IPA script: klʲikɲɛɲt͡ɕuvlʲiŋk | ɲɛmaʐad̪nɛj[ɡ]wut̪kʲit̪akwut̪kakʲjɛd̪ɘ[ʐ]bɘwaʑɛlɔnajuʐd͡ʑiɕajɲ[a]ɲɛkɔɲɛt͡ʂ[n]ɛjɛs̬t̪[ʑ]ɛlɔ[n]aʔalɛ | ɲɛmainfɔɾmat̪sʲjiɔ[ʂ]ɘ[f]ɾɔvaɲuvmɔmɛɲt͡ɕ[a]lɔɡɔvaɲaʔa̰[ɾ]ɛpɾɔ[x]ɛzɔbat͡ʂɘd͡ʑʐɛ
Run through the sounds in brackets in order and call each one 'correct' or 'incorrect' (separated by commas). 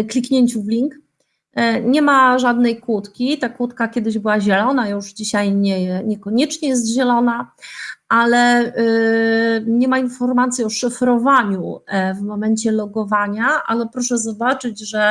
incorrect, incorrect, incorrect, incorrect, correct, correct, correct, correct, incorrect, incorrect, incorrect